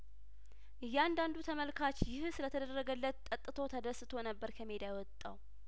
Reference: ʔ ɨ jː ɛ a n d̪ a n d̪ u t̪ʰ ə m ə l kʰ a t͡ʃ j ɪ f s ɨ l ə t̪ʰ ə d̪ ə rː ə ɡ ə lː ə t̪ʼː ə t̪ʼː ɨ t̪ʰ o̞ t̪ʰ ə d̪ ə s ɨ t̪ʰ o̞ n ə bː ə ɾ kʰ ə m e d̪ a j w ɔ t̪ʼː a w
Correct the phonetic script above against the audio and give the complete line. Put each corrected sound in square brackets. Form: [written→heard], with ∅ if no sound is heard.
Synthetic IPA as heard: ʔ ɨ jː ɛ a n d̪ a n d̪ u t̪ʰ ə m ə l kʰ a t͡ʃ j ɪ [f→h] s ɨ l ə t̪ʰ ə d̪ ə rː ə ɡ ə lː ə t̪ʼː ə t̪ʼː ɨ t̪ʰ o̞ t̪ʰ ə d̪ ə s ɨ t̪ʰ o̞ n ə bː ə ɾ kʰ ə m e d̪ a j w ɔ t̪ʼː a w